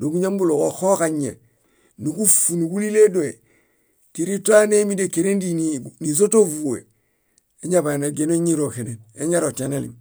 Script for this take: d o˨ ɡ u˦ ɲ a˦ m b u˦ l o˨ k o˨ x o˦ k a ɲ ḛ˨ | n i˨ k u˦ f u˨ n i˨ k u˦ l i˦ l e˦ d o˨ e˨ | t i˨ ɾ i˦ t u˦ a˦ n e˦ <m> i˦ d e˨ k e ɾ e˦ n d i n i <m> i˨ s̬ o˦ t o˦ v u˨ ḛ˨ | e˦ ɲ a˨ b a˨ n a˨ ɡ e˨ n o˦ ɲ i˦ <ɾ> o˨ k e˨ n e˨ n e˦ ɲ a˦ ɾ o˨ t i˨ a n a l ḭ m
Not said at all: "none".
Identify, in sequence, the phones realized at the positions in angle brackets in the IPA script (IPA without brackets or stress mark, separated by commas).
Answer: m, n, ɾ